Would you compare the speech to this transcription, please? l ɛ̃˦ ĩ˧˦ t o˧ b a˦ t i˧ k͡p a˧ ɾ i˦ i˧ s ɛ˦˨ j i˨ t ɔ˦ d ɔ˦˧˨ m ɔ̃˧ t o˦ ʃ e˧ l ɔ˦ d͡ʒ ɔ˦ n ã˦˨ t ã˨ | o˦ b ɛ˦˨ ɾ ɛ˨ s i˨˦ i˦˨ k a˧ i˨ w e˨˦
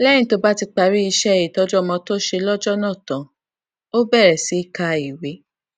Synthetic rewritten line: l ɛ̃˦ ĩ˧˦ t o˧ b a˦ t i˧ k͡p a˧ ɾ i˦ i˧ ʃ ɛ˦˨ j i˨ t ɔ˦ d͡ʒ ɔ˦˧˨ m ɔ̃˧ t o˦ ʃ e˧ l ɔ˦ d͡ʒ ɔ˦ n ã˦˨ t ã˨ | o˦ b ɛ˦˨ ɾ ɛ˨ s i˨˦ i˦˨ k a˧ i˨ w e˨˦

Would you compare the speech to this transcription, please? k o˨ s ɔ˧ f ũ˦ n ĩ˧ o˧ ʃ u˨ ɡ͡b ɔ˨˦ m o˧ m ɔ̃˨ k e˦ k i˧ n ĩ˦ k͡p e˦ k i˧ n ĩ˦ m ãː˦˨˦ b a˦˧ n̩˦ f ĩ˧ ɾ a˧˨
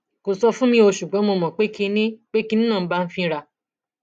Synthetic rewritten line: k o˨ s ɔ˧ f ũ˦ m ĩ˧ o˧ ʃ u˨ ɡ͡b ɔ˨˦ m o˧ m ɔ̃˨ k͡p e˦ k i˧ n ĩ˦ k͡p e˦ k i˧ n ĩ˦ n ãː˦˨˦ b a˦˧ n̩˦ f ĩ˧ ɾ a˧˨

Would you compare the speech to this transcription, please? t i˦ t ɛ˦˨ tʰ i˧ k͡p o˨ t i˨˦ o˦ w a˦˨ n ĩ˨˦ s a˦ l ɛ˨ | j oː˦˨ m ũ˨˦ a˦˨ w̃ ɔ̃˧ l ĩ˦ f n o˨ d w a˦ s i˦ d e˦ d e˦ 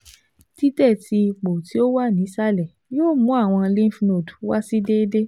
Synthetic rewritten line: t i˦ t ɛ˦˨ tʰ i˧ k͡p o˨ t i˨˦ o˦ w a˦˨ n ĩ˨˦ s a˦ l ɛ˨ | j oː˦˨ m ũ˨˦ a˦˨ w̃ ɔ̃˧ l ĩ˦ f n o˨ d w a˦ s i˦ d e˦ d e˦

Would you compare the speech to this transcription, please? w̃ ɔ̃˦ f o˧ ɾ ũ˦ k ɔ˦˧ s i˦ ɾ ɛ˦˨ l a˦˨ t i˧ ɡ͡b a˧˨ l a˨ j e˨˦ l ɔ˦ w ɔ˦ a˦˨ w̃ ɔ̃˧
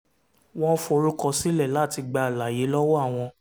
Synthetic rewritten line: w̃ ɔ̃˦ f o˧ ɾ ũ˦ k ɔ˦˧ s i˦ l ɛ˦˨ l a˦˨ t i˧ ɡ͡b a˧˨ l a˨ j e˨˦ l ɔ˦ w ɔ˦ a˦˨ w̃ ɔ̃˧

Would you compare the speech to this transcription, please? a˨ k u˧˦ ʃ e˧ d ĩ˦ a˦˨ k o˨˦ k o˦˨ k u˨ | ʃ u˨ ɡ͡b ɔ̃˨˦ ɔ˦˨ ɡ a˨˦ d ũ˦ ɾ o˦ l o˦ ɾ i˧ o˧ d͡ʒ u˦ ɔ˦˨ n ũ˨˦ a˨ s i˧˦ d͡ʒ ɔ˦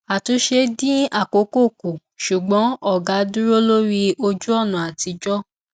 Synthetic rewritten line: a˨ t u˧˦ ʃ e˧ d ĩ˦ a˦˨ k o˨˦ k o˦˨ k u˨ | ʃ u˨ ɡ͡b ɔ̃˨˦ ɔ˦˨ ɡ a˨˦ d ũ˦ ɾ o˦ l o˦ ɾ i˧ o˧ d͡ʒ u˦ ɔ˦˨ n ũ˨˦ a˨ t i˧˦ d͡ʒ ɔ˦

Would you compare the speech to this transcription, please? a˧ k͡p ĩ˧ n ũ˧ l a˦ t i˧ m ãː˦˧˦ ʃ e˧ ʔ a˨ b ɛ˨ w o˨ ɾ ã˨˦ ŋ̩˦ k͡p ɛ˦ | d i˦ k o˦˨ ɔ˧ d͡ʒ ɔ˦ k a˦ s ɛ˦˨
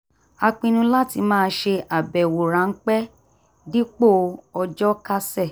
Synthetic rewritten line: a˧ k͡p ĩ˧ n ũ˧ l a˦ t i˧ m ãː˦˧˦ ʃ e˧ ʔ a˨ b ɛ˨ w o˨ ɾ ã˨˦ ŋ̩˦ k͡p ɛ˦ | d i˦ k͡p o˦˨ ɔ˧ d͡ʒ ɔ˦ k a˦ s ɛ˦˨

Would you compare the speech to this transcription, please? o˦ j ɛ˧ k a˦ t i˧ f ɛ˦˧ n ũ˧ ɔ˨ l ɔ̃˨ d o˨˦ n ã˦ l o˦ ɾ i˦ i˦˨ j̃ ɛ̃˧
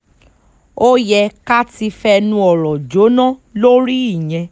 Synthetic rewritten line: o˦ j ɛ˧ k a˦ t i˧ f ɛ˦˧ n ũ˧ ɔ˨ ɾ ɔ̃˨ d͡ʒ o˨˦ n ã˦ l o˦ ɾ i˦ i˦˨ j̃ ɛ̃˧

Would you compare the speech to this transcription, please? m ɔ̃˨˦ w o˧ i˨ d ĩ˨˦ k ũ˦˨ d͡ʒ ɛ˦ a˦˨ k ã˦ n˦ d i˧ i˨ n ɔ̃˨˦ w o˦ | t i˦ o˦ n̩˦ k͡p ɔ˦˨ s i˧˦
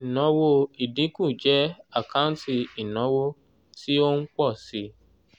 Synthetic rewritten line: n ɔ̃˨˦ w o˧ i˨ d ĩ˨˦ k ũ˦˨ d͡ʒ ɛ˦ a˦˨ k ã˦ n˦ t i˧ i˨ n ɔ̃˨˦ w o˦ | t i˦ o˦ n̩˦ k͡p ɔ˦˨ s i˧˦

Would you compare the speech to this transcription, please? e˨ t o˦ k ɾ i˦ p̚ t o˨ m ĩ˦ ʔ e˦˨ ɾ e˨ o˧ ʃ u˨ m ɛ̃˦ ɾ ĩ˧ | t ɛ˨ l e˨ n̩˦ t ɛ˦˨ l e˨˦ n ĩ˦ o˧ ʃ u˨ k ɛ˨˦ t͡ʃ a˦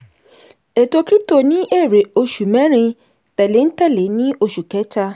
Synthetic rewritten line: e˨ t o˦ k ɾ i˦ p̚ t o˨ n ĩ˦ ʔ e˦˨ ɾ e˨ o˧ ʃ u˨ m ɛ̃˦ ɾ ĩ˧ | t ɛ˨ l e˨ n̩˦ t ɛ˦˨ l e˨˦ n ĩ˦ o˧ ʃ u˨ k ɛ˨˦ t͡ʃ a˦

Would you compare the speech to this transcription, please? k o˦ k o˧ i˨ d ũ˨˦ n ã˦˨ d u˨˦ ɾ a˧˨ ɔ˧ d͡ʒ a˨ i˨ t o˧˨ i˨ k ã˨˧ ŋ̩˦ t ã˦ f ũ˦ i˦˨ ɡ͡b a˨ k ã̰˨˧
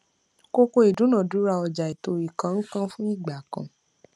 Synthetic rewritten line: k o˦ k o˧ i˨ d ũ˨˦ n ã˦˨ d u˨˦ ɾ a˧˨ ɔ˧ d͡ʒ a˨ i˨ t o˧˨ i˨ k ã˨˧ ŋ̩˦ k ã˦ f ũ˦ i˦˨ ɡ͡b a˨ k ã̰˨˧

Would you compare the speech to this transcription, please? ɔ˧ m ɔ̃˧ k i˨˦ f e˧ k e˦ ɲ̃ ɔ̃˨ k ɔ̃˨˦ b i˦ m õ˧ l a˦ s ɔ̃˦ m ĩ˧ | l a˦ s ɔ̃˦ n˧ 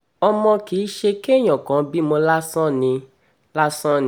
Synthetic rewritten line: ɔ˧ m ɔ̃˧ k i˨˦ ʃ e˧ k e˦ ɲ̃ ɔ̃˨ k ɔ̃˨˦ b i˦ m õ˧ l a˦ s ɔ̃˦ n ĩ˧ | l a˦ s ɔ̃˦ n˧

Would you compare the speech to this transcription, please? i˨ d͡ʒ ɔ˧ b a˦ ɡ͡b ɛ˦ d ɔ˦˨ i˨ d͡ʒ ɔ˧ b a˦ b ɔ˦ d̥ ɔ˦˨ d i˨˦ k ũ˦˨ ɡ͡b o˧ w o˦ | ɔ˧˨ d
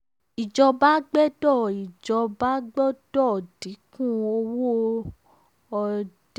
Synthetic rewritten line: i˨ d͡ʒ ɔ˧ b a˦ ɡ͡b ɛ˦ d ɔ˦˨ i˨ d͡ʒ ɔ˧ b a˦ ɡ͡b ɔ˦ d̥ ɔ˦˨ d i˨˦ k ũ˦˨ o˧ w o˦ | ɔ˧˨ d

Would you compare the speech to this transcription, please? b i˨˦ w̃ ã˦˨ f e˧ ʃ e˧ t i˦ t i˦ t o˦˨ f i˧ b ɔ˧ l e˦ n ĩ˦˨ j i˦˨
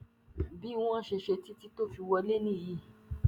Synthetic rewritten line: b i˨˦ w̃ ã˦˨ ʃ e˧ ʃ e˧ t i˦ t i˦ t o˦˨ f i˧ w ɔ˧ l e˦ n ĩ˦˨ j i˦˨

